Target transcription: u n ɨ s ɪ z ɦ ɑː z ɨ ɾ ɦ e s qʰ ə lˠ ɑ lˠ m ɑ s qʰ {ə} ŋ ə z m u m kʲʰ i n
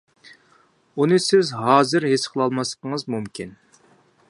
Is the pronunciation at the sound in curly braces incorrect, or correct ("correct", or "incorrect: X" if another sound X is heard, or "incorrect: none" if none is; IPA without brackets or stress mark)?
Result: correct